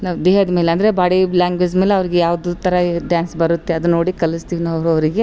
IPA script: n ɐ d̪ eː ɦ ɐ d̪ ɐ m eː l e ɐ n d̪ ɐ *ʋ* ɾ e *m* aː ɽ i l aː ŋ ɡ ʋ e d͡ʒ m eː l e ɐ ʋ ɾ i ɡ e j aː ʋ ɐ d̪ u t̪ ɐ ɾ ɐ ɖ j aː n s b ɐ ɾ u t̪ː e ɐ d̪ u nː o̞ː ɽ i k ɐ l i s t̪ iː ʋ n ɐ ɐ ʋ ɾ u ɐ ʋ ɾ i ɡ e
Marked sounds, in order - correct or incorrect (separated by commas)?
incorrect, incorrect